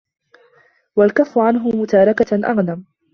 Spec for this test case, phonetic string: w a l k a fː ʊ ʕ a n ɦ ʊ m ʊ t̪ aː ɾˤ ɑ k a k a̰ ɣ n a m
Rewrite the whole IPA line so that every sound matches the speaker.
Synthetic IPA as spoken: w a l k a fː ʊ ʕ a n ɦ ʊ m ʊ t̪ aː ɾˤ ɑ k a ʔ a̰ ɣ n a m